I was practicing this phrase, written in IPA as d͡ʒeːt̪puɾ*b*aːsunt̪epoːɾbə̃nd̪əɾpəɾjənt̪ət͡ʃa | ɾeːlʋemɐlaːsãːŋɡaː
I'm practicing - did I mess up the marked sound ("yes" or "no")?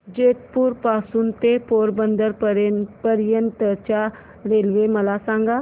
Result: yes